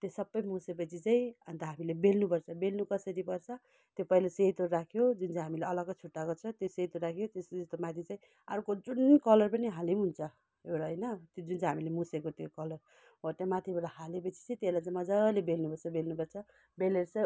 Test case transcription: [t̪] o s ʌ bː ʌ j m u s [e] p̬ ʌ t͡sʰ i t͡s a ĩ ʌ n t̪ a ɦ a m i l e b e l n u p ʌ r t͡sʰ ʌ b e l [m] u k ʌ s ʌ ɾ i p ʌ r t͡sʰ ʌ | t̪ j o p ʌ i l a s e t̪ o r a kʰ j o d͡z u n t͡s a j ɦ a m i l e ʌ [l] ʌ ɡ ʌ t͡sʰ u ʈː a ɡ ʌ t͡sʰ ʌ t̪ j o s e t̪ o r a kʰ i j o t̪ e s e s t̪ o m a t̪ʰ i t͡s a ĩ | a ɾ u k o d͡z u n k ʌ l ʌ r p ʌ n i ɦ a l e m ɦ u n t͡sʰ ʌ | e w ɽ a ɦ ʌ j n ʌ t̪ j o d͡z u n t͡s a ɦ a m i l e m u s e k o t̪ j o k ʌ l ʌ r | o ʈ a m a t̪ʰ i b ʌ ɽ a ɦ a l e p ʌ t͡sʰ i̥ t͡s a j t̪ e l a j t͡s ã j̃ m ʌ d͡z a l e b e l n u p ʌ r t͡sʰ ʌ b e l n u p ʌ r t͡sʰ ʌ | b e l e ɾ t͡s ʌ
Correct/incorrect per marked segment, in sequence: correct, correct, incorrect: n, correct

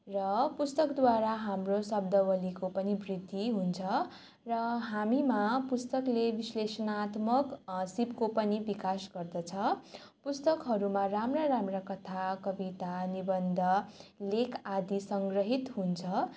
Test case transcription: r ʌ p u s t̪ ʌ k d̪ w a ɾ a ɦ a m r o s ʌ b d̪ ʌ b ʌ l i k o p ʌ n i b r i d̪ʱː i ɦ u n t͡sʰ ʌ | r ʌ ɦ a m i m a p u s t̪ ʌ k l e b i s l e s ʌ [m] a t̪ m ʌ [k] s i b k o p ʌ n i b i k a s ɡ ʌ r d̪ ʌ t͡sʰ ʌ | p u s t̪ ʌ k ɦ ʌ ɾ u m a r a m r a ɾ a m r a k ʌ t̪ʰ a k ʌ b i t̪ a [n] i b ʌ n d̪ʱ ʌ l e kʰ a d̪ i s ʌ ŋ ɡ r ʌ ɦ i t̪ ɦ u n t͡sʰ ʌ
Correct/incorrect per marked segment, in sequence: incorrect: n, correct, correct

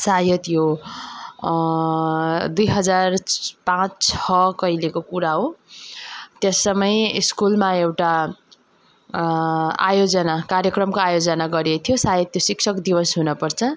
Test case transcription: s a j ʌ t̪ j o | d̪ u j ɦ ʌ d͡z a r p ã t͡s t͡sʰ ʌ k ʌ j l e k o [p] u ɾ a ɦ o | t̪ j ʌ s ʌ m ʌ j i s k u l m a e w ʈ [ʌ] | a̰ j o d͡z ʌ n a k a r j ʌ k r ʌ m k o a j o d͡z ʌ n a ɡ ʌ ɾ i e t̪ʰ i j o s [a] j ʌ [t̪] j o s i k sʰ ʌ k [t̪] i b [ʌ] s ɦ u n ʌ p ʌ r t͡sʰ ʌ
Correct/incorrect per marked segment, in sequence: incorrect: k, incorrect: a, correct, correct, incorrect: d̪, correct

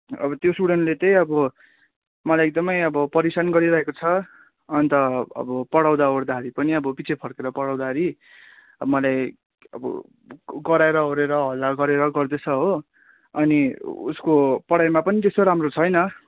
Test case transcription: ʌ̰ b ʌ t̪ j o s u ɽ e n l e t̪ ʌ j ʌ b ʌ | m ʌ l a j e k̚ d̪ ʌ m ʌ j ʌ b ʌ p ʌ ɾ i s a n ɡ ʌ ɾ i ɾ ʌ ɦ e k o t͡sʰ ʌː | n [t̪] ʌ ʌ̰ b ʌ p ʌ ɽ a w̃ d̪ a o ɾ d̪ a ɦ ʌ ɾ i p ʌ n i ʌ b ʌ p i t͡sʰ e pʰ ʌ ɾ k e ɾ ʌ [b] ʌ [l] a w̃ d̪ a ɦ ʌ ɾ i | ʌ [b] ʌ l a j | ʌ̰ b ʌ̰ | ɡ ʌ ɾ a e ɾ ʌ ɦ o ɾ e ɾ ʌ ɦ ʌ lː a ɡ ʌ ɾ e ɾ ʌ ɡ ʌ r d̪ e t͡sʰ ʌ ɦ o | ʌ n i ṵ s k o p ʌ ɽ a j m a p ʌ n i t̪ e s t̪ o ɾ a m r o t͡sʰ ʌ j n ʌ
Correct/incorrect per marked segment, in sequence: correct, incorrect: p, incorrect: ɽ, incorrect: m

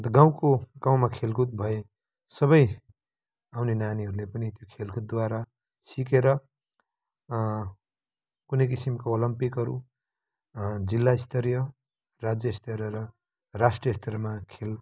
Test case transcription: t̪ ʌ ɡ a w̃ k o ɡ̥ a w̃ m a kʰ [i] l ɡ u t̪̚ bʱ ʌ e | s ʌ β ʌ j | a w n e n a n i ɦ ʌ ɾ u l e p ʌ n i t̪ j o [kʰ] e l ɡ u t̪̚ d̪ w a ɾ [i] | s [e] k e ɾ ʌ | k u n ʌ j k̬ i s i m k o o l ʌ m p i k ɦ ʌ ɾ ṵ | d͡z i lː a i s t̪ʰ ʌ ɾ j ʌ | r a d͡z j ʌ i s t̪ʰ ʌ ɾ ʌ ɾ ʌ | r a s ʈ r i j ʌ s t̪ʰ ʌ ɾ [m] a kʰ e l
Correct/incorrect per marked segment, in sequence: incorrect: e, correct, incorrect: a, incorrect: i, correct

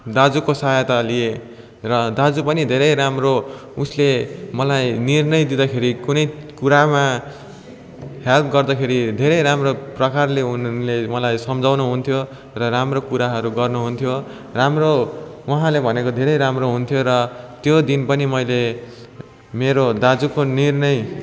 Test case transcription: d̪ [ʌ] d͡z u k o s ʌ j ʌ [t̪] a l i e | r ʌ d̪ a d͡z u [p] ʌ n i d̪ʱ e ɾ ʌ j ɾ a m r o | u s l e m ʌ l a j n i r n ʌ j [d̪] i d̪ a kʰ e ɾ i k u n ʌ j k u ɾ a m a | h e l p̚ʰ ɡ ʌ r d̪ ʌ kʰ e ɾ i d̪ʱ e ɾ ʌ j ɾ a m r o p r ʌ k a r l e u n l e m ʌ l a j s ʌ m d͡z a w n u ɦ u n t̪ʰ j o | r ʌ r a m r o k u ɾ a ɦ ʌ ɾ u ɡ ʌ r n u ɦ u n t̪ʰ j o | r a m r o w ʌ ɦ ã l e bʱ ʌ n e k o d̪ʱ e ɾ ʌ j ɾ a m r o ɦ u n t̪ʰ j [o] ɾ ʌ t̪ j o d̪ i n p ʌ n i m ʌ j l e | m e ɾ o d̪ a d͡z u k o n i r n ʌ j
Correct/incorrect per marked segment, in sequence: incorrect: a, correct, correct, correct, correct

